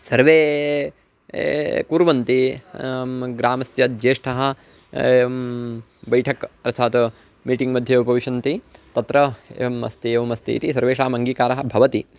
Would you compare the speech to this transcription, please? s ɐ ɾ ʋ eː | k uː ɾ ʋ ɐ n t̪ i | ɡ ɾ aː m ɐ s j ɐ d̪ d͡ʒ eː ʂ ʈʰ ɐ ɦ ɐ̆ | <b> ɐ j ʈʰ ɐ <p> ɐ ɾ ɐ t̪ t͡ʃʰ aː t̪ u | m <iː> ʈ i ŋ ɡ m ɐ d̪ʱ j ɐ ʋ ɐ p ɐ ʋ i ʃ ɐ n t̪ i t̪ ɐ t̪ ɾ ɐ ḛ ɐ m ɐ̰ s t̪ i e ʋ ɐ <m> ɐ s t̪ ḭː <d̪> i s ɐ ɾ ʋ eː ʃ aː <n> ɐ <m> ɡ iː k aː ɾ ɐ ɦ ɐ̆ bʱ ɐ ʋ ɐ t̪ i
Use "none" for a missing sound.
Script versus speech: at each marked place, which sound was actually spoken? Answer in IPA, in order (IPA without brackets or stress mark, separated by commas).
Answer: b, k, iː, m, t̪, m, ŋ